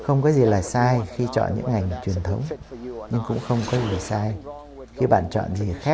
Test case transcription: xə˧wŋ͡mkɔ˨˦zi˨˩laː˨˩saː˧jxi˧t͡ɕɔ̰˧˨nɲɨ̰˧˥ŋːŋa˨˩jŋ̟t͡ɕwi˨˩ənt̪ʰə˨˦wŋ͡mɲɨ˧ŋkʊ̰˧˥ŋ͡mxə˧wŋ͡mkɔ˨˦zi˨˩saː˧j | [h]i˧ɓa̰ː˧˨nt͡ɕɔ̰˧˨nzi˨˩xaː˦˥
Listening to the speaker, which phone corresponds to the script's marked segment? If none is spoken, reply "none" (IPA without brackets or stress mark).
x